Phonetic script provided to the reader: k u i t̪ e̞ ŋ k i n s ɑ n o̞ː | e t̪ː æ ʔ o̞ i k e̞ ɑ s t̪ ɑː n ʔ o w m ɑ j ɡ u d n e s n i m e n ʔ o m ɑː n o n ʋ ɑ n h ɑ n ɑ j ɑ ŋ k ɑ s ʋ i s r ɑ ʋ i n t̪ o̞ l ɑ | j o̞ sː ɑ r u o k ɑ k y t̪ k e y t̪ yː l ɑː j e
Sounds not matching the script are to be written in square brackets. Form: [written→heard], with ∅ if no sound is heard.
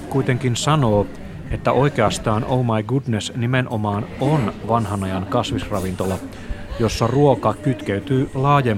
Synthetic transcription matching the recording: k u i t̪ e̞ ŋ k i n s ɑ n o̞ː | e t̪ː æ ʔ o̞ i k e̞ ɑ s t̪ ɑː n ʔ o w m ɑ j ɡ u d n e s n i m e n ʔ o m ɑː n o n ʋ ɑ n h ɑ n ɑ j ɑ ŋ k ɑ s ʋ i s r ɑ ʋ i n t̪ o̞ l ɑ | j o̞ sː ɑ r u o k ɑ k y t̪ k e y t̪ yː l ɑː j e